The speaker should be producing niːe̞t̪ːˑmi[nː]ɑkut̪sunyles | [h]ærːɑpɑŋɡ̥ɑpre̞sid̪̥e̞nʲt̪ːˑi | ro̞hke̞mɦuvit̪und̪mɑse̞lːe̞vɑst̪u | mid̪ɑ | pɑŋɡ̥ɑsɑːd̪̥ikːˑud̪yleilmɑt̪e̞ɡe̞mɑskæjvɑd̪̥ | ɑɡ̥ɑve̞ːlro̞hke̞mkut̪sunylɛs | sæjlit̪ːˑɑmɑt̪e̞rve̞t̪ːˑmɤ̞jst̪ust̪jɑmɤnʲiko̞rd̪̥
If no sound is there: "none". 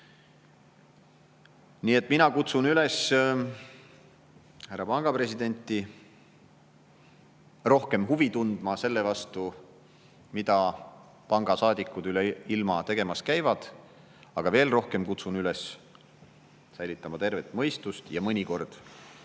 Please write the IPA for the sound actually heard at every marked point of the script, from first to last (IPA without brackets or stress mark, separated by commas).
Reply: n, h